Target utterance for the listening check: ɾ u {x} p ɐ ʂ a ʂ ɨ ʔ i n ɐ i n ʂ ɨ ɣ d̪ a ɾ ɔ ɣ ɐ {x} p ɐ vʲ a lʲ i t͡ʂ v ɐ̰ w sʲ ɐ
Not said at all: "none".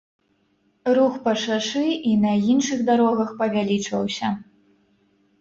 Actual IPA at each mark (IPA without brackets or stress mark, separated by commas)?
x, x